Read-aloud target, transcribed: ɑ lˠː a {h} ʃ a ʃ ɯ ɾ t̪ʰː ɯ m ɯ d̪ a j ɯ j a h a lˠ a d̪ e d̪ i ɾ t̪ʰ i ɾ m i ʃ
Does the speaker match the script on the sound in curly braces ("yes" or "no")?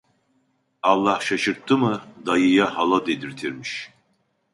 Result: yes